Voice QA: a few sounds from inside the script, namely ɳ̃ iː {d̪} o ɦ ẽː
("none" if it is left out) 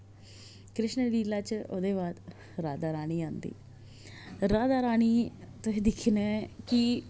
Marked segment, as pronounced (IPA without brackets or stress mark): t̪